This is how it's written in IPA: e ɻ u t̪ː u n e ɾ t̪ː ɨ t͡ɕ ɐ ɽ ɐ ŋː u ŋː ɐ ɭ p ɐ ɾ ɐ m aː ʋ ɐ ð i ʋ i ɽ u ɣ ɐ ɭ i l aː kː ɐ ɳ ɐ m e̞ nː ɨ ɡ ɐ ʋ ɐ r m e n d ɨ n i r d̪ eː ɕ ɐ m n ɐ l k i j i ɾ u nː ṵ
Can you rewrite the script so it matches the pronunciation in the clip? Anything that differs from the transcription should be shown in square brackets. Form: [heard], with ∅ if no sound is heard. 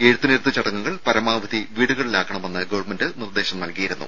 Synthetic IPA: e ɻ u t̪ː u n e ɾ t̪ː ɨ t͡ɕ ɐ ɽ ɐ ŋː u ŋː ɐ ɭ p ɐ ɾ ɐ m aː ʋ ɐ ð i ʋ [iː] ɽ u ɣ ɐ ɭ i l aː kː ɐ ɳ ɐ m e̞ nː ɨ ɡ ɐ ʋ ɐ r m e n d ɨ n i r d̪ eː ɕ ɐ m n ɐ l k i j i ɾ u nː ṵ